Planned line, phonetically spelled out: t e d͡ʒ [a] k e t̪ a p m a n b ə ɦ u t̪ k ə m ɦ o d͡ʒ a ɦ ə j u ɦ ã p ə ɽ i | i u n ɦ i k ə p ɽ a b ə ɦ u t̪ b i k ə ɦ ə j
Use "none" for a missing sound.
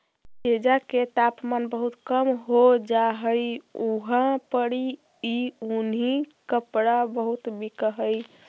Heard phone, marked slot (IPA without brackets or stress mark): a